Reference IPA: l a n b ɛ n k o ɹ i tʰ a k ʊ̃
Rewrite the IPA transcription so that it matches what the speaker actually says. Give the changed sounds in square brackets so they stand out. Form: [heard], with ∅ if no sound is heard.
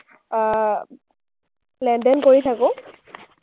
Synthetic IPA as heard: l [ɛ] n [d] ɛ n k o ɹ i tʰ a k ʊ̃